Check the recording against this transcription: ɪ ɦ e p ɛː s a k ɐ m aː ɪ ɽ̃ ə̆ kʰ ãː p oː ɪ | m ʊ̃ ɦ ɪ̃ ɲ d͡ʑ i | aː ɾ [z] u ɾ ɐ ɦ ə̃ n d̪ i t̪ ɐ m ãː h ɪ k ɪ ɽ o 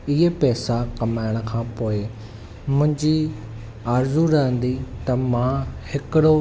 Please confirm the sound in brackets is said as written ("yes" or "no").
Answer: yes